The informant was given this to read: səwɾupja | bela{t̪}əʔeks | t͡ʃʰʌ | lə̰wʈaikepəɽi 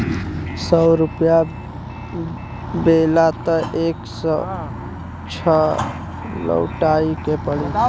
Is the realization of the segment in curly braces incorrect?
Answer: no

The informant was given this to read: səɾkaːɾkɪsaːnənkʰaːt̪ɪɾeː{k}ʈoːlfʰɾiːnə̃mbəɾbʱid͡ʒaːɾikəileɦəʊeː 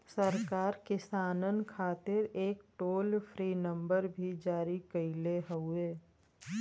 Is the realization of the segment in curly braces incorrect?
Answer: no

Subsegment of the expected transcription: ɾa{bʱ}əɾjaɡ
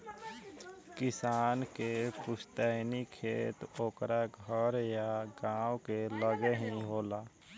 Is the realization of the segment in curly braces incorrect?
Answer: yes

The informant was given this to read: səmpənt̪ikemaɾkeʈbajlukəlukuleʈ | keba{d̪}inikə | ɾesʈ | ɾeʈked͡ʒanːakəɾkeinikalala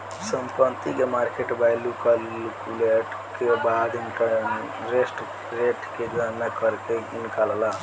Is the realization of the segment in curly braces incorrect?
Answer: no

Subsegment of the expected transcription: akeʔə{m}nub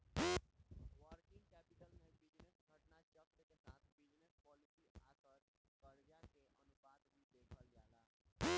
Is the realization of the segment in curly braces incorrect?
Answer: yes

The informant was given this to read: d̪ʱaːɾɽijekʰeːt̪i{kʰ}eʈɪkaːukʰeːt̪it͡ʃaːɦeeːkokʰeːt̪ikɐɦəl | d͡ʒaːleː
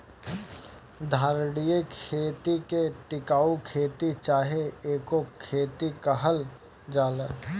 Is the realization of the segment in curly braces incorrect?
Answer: yes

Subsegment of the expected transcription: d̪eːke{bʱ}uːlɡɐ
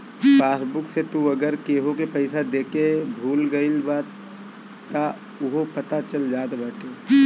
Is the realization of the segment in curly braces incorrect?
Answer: no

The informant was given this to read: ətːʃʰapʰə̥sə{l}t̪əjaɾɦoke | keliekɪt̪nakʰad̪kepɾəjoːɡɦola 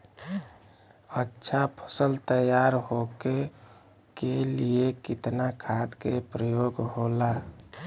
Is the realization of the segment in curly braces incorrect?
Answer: no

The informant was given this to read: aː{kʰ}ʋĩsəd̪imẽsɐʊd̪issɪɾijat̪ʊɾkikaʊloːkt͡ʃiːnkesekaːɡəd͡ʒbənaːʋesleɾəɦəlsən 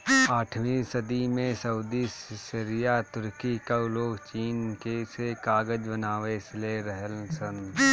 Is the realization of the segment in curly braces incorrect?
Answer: yes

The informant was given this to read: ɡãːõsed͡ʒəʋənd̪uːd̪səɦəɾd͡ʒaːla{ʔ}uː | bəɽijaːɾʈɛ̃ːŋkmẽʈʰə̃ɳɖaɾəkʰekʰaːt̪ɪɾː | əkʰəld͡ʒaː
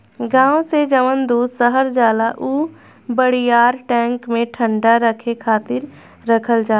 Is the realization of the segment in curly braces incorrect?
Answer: no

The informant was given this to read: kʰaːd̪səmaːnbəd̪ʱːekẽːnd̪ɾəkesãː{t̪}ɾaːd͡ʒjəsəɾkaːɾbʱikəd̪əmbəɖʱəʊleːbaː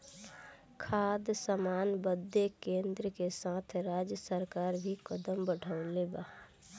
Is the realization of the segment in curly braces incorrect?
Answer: yes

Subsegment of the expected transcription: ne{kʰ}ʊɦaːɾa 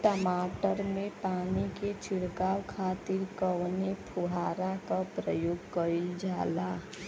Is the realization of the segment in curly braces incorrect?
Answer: yes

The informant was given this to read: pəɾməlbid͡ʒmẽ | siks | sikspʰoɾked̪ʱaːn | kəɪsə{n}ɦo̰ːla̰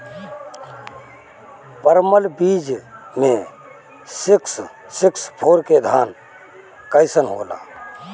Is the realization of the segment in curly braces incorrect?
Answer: no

